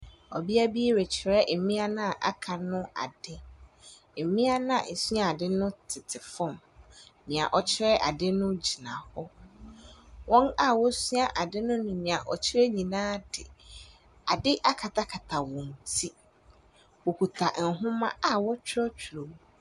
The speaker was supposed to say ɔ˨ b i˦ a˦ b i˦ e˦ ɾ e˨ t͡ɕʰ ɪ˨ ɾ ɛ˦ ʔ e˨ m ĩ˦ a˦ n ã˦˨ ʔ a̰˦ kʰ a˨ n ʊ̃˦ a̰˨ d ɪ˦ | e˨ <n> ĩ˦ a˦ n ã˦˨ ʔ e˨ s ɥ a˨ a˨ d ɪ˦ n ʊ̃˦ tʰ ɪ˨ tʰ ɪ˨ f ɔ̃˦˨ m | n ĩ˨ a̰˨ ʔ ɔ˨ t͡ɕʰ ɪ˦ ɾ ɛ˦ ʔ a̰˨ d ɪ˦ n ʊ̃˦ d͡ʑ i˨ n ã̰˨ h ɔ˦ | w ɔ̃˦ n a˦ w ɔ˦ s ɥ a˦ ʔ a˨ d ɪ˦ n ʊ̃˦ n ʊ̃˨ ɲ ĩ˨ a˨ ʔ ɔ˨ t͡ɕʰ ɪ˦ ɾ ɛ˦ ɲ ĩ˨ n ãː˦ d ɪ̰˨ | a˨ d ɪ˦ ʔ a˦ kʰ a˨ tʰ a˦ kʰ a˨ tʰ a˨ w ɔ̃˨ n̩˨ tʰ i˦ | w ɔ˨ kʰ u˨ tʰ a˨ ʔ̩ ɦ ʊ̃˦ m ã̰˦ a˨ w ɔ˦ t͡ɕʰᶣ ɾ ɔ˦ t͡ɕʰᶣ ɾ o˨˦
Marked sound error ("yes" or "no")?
yes